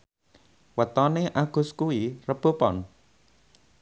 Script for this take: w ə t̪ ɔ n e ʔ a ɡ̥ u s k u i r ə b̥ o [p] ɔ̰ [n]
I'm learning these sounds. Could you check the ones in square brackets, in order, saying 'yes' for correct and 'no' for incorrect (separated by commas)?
yes, yes